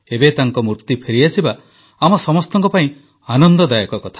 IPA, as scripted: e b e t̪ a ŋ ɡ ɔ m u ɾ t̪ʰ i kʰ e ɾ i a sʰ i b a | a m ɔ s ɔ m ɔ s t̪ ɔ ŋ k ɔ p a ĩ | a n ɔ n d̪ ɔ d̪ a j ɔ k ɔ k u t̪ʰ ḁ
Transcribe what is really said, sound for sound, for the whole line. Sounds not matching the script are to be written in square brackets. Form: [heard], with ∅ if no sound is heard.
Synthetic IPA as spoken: e b e t̪ a ŋ [k] ɔ m u ɾ [t̪] i [pʰ] e ɾ i a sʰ i b a | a m ɔ s ɔ m ɔ s t̪ ɔ ŋ k ɔ p a ĩ | a n ɔ n d̪ ɔ d̪ a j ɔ k ɔ k [ɔ] t̪ʰ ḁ